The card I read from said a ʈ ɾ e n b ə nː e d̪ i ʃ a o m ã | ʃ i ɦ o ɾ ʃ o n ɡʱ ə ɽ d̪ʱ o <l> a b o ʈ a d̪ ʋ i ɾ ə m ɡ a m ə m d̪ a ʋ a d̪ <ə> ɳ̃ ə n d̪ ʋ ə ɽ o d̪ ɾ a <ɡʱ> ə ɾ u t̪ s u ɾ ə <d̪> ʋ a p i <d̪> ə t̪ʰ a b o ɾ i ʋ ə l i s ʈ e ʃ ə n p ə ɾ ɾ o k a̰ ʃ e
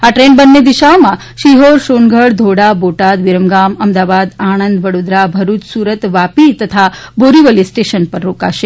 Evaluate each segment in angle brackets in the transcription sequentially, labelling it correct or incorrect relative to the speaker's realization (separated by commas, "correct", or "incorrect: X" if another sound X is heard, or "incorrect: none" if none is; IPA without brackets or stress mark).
incorrect: ɽ, incorrect: a, incorrect: bʱ, incorrect: t̪, incorrect: t̪